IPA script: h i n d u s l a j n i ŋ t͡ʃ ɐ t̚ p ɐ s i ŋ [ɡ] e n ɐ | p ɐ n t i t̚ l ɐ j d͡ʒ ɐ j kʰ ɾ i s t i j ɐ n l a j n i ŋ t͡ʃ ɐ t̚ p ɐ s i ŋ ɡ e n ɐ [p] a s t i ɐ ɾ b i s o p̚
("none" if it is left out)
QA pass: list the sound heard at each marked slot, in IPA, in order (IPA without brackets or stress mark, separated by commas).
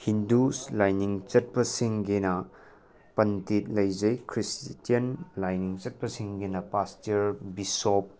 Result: ɡ, p